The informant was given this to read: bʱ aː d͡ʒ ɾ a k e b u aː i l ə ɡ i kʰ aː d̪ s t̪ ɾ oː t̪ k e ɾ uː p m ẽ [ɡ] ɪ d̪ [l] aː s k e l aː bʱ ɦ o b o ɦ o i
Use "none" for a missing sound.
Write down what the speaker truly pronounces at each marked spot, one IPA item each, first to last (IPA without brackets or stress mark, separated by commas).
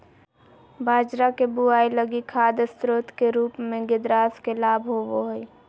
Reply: ɡ, ɾ